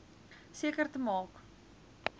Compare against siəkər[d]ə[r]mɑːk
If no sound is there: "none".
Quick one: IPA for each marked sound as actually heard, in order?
t, none

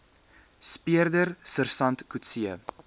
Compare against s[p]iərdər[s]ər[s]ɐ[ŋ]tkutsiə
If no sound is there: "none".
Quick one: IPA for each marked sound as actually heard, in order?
p, s, s, n

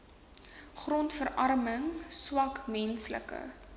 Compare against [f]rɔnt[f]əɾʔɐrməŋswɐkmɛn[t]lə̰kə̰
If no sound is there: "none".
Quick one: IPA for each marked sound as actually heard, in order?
χ, f, s

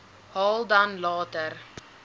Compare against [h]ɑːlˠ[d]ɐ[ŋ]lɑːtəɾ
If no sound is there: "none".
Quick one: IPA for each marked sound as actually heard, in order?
h, d, n

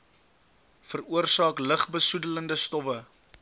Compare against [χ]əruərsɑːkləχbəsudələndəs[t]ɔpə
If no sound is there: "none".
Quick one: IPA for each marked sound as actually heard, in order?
f, t

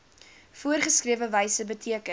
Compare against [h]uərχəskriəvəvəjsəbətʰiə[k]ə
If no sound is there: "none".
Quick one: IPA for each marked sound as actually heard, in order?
f, k

